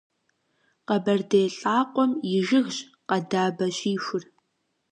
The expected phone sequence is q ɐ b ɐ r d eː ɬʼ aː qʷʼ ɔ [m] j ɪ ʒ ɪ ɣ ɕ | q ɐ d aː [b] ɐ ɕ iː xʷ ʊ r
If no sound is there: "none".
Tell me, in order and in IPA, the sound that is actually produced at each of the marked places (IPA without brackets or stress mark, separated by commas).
m, b